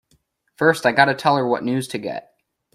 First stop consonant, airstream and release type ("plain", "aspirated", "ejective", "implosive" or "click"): plain